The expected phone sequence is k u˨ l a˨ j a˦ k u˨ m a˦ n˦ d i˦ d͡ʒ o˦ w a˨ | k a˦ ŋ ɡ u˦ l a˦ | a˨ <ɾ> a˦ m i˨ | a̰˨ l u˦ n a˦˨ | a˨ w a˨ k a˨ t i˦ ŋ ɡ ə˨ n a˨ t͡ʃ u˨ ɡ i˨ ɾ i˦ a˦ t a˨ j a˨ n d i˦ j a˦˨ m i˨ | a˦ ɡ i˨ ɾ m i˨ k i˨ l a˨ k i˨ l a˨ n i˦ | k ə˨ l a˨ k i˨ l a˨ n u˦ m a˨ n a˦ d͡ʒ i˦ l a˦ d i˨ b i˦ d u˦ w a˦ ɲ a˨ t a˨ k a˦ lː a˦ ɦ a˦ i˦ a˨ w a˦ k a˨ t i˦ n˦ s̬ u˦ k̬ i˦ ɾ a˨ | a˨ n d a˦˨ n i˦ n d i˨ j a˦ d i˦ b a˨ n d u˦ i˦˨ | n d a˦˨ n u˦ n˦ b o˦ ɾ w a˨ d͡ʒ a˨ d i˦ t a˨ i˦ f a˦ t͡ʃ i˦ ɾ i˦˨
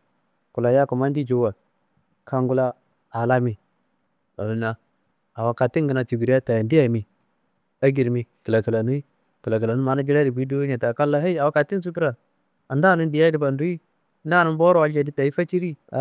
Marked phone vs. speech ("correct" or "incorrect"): incorrect